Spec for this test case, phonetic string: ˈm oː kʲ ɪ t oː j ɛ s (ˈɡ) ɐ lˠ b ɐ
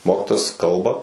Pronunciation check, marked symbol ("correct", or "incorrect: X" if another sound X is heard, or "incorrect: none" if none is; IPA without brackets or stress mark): incorrect: k